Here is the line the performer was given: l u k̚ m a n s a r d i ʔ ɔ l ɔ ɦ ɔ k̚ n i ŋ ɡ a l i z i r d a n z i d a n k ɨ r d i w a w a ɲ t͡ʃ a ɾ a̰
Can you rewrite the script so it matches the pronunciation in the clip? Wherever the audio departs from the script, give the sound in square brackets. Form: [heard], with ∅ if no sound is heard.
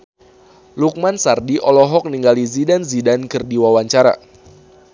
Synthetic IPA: l u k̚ m a n s a r d i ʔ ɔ l ɔ ɦ ɔ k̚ n i ŋ ɡ a l i z i [∅] d a n z i d a n k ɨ r d i w a w a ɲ t͡ʃ a ɾ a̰